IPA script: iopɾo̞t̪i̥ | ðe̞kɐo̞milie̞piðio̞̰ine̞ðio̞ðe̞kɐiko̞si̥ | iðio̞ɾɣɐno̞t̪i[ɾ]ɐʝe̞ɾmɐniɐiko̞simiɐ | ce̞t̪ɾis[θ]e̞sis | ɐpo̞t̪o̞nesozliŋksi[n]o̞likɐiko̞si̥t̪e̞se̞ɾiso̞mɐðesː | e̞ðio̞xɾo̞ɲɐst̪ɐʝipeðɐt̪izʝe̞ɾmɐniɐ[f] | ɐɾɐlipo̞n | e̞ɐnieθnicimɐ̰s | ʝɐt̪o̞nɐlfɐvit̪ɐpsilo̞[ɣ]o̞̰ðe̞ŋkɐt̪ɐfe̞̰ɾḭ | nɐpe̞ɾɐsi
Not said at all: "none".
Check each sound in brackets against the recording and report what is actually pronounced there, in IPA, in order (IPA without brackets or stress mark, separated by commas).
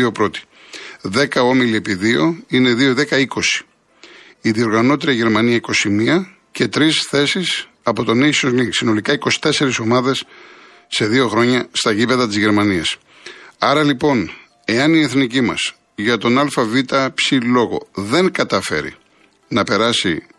ɾ, θ, n, s, ɣ